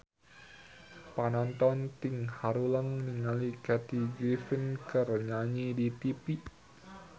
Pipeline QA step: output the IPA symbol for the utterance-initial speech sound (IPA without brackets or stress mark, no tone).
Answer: p